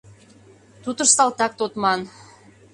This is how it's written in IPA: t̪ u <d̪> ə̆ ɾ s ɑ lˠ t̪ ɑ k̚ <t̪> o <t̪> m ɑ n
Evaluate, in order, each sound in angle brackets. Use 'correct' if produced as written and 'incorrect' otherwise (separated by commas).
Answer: incorrect, correct, correct